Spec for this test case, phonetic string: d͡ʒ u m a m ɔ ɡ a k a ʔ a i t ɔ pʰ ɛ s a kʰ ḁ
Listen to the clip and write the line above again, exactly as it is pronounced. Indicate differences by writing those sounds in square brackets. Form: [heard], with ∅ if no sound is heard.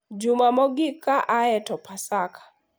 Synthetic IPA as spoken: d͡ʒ u m a m ɔ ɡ [i] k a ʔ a [ɛ] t ɔ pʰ [a] s a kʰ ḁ